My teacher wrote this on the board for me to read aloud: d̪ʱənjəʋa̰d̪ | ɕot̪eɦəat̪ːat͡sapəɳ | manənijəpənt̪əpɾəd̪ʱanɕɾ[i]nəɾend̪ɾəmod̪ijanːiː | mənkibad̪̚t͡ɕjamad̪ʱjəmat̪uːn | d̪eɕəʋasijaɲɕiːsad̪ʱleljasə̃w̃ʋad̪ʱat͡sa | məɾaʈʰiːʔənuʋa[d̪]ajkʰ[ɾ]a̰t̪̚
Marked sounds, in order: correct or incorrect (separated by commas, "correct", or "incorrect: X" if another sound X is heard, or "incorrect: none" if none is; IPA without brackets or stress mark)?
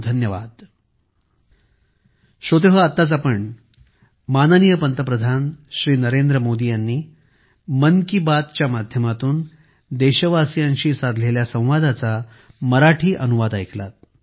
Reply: incorrect: iː, correct, incorrect: l